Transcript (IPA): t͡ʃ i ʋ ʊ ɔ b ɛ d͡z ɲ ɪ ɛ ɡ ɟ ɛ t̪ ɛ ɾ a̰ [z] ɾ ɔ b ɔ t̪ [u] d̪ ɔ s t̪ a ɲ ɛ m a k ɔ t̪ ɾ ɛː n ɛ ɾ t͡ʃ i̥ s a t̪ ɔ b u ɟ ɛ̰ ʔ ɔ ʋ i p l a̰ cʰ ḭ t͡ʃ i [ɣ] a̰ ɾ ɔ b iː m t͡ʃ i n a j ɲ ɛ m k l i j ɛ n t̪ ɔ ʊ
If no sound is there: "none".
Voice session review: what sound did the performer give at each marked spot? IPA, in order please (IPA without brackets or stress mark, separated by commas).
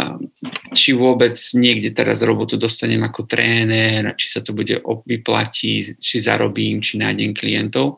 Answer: z, u, z